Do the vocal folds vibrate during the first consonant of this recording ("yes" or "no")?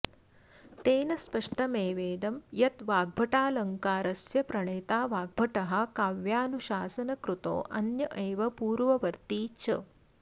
no